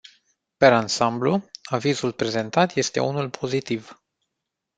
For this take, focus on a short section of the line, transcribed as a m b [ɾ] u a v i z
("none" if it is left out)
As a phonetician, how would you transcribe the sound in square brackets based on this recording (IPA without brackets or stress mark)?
l